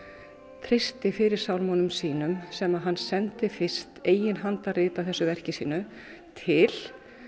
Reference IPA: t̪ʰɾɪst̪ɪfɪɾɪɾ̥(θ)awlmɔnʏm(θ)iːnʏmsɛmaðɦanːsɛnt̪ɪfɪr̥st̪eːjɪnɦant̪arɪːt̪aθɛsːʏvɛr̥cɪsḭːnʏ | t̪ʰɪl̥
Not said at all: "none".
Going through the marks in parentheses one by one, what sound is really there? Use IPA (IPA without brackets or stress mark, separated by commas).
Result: s, s